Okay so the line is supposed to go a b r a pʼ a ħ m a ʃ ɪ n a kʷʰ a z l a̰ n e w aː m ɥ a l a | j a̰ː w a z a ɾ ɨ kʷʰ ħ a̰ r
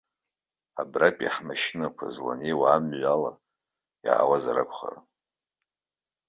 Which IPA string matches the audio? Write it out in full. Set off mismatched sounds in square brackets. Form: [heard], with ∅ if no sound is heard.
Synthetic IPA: a b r a pʼ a ħ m a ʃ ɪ n a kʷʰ a z l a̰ n e w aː m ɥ a l a | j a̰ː w a z a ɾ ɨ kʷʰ [χ] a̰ r